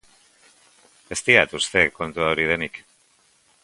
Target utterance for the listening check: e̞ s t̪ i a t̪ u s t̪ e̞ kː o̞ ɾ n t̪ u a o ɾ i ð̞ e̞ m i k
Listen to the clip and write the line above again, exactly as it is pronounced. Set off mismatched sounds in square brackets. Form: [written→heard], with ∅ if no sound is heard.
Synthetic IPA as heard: e̞ s t̪ i a t̪ u s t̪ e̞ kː o̞ [ɾ→∅] n t̪ u a o ɾ i ð̞ e̞ [m→n] i k